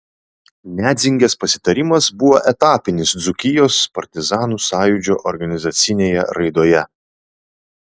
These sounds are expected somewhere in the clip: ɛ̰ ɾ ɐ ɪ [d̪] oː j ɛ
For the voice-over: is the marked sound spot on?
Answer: yes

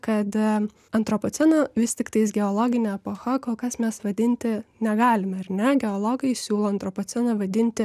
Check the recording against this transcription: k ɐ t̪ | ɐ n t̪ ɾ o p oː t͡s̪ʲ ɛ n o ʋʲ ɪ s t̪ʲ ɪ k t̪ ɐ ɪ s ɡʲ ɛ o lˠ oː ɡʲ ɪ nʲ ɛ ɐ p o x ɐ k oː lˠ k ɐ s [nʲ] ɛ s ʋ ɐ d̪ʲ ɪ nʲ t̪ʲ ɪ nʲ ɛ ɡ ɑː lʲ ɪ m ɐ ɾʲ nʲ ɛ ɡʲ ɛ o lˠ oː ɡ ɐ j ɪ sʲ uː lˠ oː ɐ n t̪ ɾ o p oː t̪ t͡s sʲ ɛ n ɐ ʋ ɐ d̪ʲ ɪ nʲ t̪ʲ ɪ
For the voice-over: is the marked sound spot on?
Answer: no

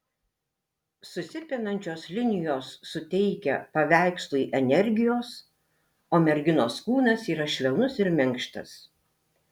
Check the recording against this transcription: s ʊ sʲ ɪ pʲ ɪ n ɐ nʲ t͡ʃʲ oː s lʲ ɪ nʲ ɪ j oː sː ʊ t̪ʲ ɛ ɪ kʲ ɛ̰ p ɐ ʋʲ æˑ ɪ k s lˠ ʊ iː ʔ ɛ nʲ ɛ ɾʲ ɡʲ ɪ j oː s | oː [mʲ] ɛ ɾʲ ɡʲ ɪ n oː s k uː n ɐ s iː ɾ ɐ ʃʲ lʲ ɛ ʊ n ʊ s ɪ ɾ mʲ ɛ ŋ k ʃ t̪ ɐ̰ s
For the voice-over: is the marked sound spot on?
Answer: yes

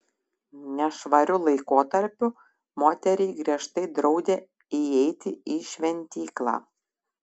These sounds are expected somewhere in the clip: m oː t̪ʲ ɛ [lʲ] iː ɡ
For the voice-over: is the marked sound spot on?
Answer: no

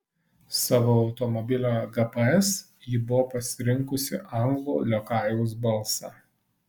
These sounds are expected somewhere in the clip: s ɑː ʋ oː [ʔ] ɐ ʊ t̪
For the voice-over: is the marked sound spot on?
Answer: no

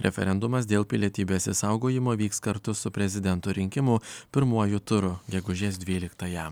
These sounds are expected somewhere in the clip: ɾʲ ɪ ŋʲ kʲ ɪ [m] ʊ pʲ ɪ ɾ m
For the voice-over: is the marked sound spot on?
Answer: yes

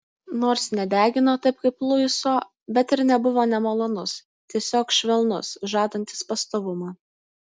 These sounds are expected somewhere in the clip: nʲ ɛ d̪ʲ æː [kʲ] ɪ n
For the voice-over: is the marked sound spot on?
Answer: no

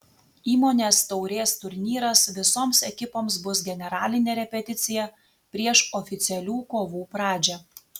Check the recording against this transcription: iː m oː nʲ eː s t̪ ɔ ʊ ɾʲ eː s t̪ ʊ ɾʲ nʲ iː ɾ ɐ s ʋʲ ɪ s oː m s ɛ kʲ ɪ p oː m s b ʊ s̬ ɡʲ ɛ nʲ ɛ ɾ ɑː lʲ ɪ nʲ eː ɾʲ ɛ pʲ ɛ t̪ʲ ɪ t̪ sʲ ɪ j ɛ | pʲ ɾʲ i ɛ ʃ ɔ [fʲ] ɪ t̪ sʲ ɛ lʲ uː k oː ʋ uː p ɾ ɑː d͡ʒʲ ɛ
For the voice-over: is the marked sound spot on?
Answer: yes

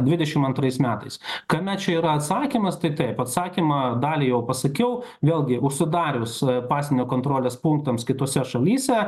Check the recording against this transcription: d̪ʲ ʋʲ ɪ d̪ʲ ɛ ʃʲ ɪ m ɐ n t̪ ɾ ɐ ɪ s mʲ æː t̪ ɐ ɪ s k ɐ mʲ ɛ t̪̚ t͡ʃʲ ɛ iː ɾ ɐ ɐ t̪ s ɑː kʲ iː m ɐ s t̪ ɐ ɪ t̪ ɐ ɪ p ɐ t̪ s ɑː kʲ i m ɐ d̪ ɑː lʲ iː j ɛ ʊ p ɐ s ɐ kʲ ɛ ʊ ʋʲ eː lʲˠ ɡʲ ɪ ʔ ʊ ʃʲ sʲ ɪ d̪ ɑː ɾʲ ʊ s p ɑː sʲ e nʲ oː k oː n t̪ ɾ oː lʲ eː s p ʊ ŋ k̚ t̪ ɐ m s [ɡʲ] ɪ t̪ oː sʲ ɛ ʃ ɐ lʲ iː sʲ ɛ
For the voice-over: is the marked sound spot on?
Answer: no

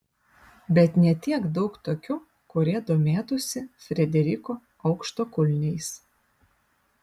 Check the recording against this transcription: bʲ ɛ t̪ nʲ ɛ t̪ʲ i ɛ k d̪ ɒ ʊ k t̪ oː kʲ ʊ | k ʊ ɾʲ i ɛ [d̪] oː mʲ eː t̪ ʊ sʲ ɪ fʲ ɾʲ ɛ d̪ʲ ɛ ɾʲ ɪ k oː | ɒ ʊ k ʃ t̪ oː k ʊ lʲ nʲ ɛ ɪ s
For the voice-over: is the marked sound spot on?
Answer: yes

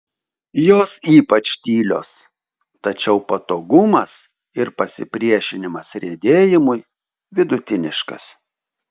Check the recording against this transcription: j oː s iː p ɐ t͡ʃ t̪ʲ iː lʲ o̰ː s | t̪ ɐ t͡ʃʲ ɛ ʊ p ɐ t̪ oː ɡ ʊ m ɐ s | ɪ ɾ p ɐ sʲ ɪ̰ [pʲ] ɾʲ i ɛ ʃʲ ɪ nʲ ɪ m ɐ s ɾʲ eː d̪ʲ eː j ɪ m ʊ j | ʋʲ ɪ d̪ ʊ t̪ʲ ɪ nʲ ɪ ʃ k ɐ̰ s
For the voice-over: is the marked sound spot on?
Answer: yes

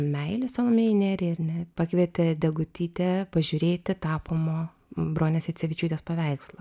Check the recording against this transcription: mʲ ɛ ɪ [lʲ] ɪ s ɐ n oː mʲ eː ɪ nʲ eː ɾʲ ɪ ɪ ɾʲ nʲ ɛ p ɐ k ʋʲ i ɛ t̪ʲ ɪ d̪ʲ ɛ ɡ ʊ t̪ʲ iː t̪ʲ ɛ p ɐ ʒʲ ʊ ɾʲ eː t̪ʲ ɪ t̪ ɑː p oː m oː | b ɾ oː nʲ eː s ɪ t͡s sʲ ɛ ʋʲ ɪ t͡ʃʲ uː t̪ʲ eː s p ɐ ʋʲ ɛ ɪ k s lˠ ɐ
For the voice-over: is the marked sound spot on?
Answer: yes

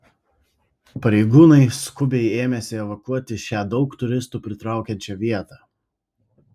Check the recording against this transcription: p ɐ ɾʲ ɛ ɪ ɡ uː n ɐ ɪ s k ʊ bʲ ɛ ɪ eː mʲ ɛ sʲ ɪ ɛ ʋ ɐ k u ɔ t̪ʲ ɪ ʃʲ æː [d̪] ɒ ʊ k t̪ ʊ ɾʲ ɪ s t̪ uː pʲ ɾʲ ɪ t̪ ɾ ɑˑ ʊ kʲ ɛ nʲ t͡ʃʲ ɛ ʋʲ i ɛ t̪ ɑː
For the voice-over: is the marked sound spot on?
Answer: yes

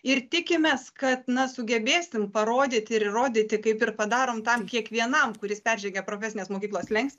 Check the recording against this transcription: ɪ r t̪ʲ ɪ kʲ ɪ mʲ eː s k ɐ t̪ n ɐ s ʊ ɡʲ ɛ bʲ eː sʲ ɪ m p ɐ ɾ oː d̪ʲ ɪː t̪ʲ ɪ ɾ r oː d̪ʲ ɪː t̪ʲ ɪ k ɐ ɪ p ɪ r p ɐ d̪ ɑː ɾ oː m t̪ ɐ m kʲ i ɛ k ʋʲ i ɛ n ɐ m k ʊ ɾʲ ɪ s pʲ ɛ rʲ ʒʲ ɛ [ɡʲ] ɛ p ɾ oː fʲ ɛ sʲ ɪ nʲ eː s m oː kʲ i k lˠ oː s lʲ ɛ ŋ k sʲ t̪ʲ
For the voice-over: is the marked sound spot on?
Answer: yes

